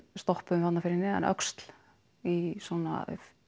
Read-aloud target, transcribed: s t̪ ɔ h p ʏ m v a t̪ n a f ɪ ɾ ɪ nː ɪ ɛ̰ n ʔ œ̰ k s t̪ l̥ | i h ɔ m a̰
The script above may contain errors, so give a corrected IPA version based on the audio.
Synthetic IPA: s t̪ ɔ h p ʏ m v a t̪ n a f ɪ ɾ ɪ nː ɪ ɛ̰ n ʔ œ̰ k s t̪ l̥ | i s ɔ n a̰